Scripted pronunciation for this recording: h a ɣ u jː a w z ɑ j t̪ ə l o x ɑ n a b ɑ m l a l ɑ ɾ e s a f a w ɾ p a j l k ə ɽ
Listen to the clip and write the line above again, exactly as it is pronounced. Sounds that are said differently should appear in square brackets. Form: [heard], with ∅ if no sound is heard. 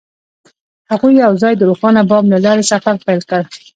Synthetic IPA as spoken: h a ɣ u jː a w z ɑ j [d̪] ə [ɾ] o x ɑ n a b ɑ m l a l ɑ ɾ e s a f a [∅] ɾ p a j l k ə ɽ